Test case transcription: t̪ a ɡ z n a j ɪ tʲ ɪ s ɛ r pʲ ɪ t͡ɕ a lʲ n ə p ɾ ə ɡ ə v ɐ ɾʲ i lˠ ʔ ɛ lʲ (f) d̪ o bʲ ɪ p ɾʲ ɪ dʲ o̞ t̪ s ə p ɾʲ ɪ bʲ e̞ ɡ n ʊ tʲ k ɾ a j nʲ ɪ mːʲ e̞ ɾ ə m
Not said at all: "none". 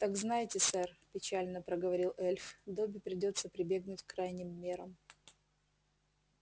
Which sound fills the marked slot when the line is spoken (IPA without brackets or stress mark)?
f